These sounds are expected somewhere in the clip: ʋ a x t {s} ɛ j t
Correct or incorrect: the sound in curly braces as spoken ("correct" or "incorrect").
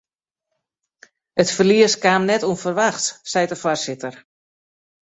correct